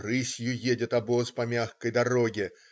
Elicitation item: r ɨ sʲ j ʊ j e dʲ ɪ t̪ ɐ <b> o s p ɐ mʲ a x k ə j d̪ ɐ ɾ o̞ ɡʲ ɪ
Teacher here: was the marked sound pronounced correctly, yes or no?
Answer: yes